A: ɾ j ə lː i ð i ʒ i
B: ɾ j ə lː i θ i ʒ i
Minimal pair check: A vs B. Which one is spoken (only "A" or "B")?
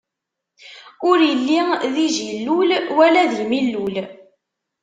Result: A